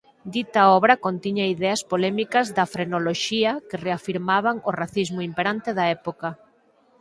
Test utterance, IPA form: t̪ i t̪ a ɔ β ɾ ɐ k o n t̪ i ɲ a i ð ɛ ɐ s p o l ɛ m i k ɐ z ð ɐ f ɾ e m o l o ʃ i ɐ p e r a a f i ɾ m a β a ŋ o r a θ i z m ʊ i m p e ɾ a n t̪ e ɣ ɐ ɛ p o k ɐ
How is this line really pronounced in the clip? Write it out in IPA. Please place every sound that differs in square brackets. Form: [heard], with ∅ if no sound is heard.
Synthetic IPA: [d̪] i t̪ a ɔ β ɾ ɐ k o n t̪ i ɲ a i ð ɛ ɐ s p o l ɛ m i k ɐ z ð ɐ f ɾ e [n] o l o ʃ i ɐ [k] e r [e] a f i ɾ m a β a ŋ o r a θ i z m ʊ i m p e ɾ a n t̪ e [ð] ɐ ɛ p o k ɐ

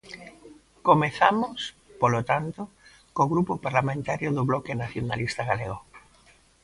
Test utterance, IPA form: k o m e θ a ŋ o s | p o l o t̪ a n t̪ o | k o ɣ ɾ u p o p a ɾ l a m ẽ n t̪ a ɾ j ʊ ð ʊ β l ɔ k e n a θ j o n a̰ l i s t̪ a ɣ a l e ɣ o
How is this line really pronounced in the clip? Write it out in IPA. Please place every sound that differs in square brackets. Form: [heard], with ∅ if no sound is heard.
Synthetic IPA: k o m e θ a [m] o s | p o l o t̪ a n t̪ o | k o ɣ ɾ u p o p a ɾ l a m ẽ n t̪ a ɾ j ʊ ð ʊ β l ɔ k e n a θ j o n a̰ l i s t̪ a ɣ a l e ɣ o

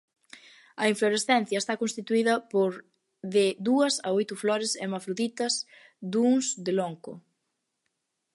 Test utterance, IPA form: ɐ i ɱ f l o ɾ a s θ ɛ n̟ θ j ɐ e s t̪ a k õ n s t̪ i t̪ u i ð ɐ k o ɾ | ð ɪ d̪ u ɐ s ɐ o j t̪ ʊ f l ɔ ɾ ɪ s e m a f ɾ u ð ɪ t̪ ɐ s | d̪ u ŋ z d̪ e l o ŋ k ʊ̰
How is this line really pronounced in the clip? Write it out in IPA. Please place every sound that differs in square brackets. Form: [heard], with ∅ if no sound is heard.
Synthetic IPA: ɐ i ɱ f l o ɾ [e] s θ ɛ n̟ θ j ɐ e s t̪ a k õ n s t̪ i t̪ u i ð ɐ [p] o ɾ | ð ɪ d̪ u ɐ s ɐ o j t̪ ʊ f l ɔ ɾ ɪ s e m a f ɾ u ð [i] t̪ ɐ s | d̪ u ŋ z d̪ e l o ŋ k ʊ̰

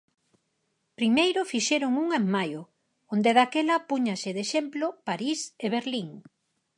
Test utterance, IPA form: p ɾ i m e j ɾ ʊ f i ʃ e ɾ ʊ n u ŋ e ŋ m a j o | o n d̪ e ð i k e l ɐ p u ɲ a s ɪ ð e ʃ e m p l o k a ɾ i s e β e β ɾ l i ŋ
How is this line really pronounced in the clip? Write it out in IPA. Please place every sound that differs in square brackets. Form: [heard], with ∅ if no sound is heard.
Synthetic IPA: p ɾ i m e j ɾ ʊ f i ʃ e ɾ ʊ [ŋ] u ŋ e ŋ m a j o | o n d̪ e ð [a] k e l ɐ p u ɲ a s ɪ ð e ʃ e m p l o [p] a ɾ i s e β e [∅] ɾ l i ŋ

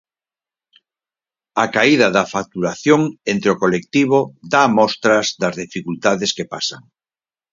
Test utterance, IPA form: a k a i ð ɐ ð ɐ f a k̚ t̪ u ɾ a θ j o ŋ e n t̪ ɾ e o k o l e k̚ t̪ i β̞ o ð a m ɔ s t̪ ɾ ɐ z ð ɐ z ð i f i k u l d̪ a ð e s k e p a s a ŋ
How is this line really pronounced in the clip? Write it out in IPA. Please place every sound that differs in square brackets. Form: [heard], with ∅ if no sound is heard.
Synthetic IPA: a k a i ð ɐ ð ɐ f a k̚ t̪ u ɾ a θ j o ŋ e n t̪ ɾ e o k o l e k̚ t̪ i β̞ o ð a m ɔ s t̪ ɾ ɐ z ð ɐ z ð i f i k u l [t̪] a ð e s k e p a s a ŋ

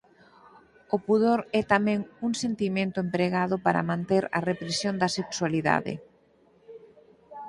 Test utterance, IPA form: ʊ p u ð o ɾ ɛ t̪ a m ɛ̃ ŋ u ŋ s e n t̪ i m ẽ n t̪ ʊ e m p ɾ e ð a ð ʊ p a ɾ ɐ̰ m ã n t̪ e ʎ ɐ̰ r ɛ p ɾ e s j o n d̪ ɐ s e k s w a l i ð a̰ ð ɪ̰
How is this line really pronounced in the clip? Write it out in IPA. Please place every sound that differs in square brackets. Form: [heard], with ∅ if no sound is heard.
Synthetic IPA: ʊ p u ð o ɾ ɛ t̪ a m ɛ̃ ŋ u ŋ s e n t̪ i m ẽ n t̪ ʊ e m p ɾ e [ɣ] a ð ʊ p a ɾ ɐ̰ m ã n t̪ e [ɾ] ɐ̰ r [e] p ɾ e s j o n d̪ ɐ s e k s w a l i ð a̰ ð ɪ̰

